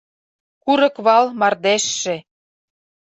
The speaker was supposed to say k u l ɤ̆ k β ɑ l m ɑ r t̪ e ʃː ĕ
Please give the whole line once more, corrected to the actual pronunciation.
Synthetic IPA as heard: k u ɾ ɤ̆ k β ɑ l m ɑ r d̪ e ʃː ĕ

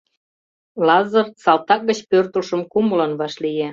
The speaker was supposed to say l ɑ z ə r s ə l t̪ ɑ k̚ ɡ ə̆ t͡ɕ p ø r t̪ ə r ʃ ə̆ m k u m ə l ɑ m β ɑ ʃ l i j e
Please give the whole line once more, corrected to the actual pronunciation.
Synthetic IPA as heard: l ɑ z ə r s ɑ l t̪ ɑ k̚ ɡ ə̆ t͡ɕ p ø r t̪ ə l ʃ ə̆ m k u m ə l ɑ n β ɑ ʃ l i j e

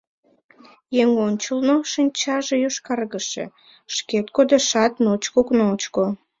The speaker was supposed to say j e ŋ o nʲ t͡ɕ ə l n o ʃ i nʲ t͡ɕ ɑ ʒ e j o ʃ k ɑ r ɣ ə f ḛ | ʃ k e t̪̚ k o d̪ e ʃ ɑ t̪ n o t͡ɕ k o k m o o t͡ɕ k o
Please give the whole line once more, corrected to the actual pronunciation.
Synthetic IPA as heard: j e ŋ o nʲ t͡ɕ ə l n o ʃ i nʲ t͡ɕ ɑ ʒ e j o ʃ k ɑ r ɣ ə ʃ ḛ | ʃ k e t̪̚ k o d̪ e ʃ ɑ t̪ n o t͡ɕ k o k n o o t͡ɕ k o

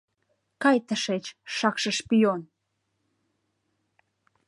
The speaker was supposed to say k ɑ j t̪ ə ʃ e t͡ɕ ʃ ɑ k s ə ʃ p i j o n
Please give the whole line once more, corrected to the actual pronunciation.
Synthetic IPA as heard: k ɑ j t̪ ə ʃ e t͡ɕ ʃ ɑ k ʃ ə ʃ p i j o n

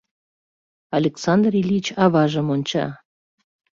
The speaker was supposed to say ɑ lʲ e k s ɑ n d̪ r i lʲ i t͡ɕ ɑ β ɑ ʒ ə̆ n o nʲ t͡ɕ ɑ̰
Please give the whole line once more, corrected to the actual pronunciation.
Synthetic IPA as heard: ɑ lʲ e k s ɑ n d̪ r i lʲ i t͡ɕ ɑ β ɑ ʒ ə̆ m o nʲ t͡ɕ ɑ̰

